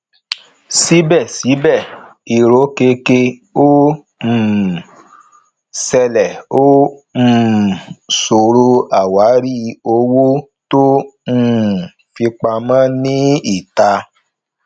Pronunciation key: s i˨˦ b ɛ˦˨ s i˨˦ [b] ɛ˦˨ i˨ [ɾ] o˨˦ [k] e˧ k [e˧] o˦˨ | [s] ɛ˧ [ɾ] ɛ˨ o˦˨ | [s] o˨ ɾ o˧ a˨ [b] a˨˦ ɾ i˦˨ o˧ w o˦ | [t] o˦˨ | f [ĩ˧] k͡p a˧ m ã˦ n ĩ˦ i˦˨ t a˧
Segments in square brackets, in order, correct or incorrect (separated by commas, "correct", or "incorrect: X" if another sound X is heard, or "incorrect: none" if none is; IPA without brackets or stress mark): correct, correct, correct, correct, correct, incorrect: l, correct, incorrect: w, correct, incorrect: i˧